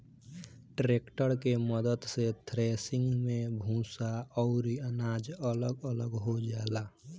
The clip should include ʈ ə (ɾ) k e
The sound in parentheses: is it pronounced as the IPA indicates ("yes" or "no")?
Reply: yes